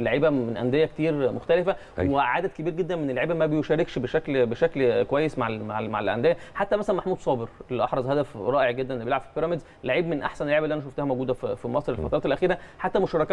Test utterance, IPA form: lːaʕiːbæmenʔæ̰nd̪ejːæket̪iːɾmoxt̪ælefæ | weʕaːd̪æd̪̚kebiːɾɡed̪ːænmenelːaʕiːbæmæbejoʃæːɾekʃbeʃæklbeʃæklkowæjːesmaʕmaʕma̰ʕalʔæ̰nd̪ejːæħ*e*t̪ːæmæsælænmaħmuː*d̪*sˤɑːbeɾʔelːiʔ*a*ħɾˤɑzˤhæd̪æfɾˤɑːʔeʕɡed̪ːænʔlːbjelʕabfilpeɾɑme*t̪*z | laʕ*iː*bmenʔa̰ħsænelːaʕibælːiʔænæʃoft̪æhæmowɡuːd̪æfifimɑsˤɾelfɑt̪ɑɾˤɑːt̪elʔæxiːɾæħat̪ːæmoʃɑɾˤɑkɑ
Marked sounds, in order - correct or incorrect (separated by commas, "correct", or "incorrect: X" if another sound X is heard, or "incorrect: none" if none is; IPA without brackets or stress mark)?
incorrect: a, correct, incorrect: ɑ, incorrect: d̪, correct